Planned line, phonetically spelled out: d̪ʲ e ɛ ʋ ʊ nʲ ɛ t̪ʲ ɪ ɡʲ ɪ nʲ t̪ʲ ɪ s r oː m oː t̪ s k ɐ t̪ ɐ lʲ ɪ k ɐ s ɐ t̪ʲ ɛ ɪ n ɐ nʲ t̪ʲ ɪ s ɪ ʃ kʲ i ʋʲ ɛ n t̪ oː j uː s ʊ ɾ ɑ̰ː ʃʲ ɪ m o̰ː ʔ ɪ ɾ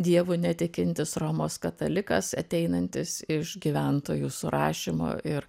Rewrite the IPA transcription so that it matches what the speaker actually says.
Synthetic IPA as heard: d̪ʲ i ɛ ʋ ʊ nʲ ɛ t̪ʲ ɪ kʲ ɪ nʲ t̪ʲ ɪ s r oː m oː s k ɐ t̪ ɐ lʲ ɪ k ɐ s ɐ t̪ʲ ɛ ɪ n ɐ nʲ t̪ʲ ɪ s ɪ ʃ ɡʲ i ʋʲ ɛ n t̪ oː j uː s ʊ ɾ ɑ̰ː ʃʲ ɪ m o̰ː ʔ ɪ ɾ